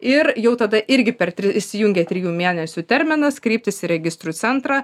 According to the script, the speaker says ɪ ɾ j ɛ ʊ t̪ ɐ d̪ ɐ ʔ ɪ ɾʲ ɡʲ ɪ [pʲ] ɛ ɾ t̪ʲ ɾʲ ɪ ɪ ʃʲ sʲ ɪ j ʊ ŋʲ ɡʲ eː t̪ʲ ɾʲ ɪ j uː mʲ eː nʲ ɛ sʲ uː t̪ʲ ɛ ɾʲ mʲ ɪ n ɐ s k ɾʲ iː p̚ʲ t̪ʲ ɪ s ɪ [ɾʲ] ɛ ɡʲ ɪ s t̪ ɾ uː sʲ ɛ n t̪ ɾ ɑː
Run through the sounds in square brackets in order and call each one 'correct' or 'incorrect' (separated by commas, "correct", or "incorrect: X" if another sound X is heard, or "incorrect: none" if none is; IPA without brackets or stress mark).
correct, correct